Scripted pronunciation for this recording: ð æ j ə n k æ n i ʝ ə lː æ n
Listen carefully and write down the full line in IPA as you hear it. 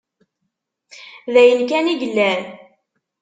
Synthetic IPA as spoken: ð æ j ə n k æ n i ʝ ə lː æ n